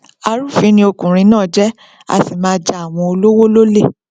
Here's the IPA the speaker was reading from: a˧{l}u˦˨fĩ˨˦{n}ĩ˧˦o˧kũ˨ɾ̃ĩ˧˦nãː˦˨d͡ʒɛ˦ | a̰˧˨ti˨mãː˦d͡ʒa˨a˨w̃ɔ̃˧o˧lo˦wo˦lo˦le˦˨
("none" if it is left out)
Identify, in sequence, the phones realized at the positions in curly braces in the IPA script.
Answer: ɾ, n

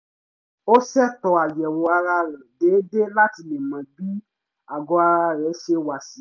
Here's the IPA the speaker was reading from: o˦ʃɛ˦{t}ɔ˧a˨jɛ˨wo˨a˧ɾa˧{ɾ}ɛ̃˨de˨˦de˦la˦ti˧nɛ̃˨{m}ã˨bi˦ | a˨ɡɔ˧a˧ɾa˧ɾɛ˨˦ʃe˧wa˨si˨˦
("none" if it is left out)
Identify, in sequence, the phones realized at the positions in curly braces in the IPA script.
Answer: t, ɾ, m

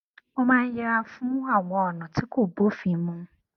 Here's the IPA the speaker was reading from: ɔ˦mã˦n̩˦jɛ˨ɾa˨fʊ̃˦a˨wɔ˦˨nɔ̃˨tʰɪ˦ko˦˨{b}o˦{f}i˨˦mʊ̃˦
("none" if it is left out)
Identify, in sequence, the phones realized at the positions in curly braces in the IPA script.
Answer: b, f

